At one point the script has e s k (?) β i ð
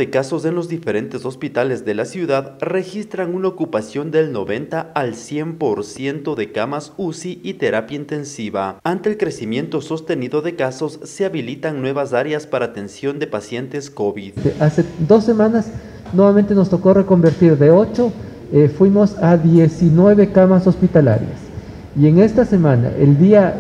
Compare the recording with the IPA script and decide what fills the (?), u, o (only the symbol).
o